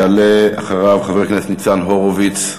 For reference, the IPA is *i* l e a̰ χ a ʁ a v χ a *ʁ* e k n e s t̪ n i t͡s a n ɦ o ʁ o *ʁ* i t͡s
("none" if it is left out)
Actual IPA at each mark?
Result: a, v, v

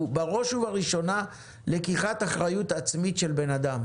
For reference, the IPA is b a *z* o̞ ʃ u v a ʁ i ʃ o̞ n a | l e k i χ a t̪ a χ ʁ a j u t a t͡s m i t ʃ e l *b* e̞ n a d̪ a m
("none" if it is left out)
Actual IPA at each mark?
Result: ʁ, b

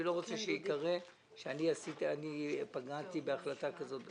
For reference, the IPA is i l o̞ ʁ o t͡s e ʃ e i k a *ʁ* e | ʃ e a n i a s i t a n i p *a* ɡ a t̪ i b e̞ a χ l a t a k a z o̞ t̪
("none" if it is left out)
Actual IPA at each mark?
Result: ʁ, a

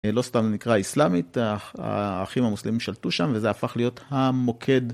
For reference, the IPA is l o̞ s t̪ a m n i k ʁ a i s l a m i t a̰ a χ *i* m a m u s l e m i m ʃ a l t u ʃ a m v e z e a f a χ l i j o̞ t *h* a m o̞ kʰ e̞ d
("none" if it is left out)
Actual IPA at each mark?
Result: i, h

